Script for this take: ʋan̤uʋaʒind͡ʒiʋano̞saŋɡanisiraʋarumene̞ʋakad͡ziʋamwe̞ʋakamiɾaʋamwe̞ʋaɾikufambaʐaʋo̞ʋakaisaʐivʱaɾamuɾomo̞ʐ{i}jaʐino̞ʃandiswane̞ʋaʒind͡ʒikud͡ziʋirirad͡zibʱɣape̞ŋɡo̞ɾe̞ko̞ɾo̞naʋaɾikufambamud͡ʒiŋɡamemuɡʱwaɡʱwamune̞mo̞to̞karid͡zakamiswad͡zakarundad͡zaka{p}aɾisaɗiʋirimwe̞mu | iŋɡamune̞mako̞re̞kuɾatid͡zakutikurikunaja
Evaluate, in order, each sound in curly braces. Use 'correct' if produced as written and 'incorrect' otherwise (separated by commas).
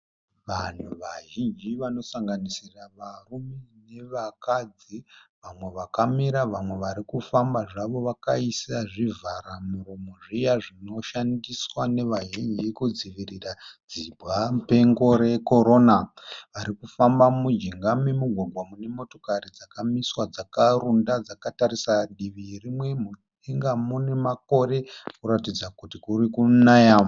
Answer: correct, incorrect